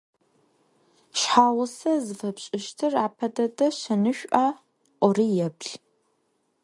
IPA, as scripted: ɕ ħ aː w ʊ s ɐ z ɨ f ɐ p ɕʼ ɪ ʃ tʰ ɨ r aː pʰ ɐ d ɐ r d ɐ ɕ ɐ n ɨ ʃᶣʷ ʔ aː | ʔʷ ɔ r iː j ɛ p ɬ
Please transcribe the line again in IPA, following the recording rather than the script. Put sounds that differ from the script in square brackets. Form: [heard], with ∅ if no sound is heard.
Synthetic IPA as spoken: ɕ ħ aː w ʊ s ɐ z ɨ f ɐ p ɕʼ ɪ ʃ tʰ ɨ r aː pʰ ɐ d ɐ [∅] d ɐ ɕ ɐ n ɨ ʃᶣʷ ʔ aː | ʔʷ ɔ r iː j ɛ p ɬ